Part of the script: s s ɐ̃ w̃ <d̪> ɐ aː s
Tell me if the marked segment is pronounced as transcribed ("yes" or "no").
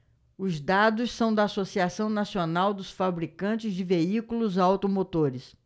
yes